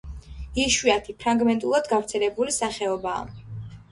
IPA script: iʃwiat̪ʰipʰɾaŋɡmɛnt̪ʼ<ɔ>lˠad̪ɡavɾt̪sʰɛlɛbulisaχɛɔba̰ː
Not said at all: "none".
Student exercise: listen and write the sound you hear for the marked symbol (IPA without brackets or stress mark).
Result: u